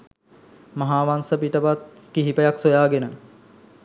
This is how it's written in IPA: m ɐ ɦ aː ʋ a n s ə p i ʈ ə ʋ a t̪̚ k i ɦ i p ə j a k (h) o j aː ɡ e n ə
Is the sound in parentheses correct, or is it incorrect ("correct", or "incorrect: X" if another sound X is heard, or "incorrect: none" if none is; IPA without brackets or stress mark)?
incorrect: s